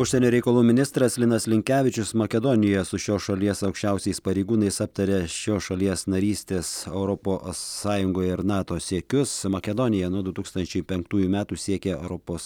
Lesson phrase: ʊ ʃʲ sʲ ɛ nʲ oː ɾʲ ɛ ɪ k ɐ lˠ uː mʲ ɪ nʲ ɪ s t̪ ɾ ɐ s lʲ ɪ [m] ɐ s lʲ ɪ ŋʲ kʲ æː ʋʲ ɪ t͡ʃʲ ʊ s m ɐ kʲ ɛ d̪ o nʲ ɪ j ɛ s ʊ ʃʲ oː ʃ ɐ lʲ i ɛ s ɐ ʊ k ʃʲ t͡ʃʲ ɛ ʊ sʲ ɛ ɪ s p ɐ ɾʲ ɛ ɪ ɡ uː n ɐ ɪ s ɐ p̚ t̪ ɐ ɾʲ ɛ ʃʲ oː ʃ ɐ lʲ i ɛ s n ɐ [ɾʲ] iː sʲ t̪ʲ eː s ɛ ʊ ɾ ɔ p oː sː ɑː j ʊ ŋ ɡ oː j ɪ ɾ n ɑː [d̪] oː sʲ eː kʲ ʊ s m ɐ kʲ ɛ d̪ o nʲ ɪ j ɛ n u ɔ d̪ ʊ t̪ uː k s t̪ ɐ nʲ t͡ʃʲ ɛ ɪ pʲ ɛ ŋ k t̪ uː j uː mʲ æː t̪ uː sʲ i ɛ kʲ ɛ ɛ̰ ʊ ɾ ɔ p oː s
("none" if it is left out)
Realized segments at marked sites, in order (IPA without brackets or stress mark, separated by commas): n, ɾʲ, t̪